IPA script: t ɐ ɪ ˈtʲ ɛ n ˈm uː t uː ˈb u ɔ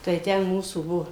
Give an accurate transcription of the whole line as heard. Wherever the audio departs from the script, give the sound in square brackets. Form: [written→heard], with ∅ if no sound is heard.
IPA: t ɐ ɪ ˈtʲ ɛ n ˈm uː [t→s] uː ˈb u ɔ